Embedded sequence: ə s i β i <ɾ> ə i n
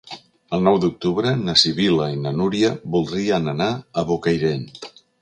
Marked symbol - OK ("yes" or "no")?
no